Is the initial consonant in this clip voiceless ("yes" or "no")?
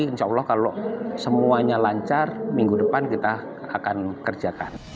yes